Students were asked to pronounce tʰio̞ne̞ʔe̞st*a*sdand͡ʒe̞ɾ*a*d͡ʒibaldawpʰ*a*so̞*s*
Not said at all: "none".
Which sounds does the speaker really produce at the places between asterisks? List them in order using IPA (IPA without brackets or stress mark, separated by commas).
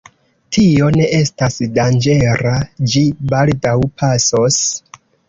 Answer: a, a, a, s